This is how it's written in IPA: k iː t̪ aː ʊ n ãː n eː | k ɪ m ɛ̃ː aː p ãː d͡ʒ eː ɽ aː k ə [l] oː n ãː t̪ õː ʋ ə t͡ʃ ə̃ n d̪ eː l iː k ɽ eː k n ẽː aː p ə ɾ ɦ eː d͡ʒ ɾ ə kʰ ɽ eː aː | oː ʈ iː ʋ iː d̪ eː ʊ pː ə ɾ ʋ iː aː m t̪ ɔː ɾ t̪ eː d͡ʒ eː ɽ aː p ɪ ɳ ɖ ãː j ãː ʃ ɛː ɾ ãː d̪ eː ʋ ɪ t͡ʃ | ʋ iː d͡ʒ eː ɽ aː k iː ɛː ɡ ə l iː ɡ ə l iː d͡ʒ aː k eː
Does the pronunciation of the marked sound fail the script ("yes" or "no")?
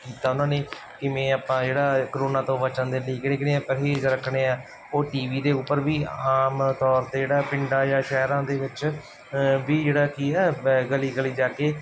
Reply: yes